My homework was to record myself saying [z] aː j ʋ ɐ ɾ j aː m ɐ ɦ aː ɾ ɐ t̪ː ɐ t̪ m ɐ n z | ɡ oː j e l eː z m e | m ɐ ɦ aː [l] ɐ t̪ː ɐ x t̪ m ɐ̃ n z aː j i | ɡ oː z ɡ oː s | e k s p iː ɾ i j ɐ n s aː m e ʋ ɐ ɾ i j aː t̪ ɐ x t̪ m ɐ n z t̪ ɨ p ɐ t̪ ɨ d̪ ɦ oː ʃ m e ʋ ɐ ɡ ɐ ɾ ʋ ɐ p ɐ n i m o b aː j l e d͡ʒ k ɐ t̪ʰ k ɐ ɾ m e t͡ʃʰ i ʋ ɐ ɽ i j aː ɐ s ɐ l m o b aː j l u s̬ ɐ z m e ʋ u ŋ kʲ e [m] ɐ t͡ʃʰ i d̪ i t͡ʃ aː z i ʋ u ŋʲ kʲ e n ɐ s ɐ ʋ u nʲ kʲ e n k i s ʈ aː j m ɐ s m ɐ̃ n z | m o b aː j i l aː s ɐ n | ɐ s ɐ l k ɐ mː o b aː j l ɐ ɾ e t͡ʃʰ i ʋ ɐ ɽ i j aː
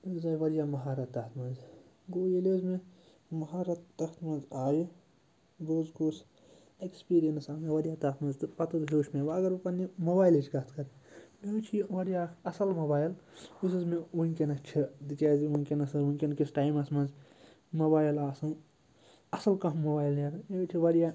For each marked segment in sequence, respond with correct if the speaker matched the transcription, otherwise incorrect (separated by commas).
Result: correct, incorrect, incorrect